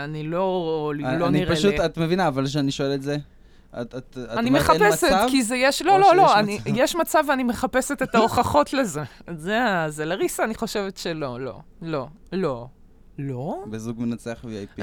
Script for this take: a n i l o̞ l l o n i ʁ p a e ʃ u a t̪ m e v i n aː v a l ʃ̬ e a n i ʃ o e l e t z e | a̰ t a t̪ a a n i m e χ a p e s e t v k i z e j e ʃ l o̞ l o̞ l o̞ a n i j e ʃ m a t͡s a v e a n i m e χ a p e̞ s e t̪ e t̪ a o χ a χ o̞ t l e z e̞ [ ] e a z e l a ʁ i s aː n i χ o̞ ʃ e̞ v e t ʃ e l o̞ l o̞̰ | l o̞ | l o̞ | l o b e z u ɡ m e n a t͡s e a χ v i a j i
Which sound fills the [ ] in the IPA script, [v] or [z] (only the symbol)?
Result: z